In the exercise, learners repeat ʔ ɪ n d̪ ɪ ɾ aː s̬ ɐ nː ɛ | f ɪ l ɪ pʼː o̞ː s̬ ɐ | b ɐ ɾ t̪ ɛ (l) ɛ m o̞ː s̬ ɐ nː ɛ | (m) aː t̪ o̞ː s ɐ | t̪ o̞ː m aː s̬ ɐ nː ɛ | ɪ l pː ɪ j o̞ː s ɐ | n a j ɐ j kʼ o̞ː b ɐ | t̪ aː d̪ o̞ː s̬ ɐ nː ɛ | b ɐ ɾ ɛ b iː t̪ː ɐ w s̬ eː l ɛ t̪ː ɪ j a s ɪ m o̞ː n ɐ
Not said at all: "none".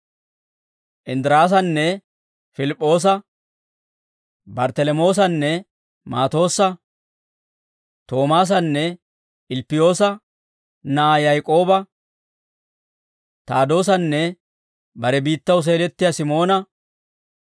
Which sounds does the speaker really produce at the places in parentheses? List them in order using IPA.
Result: l, m

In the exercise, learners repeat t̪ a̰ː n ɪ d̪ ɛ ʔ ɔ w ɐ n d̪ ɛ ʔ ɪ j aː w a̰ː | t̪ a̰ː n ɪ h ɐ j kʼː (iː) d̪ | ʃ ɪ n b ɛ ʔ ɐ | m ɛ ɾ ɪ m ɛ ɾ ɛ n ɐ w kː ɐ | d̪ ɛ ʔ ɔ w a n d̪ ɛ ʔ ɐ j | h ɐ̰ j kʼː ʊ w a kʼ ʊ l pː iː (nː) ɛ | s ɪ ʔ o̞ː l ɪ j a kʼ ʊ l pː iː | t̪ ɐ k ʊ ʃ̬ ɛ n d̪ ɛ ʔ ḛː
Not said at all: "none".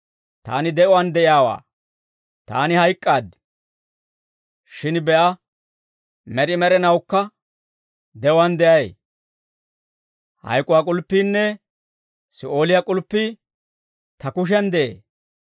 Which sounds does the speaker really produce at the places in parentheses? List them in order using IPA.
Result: aː, nː

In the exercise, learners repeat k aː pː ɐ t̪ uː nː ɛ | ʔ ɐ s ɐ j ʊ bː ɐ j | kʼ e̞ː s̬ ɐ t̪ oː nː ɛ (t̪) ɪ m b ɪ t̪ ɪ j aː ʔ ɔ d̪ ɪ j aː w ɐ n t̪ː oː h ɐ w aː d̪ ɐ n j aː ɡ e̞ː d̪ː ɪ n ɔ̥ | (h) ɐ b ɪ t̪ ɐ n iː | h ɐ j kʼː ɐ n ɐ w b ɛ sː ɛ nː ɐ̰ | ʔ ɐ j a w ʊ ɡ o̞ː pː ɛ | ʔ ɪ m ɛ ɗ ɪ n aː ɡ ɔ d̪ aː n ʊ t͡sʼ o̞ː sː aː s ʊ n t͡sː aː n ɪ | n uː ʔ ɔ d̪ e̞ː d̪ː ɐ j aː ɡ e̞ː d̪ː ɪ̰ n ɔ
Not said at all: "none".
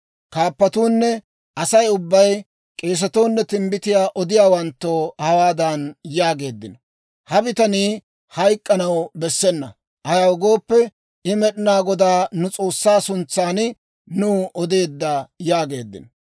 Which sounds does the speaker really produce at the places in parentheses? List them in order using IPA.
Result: t̪, h

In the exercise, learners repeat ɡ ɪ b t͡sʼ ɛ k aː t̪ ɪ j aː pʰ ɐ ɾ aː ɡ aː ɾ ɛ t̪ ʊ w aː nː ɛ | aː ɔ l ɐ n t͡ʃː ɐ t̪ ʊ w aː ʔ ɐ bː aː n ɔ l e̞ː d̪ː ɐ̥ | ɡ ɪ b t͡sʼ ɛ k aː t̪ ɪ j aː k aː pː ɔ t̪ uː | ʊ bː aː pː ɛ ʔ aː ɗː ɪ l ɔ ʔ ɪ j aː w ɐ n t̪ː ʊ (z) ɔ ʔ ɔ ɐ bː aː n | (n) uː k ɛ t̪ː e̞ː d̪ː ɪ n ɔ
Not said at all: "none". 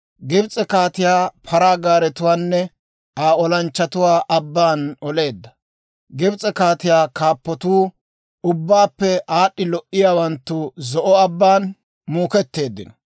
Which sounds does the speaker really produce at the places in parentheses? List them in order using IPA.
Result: z, m

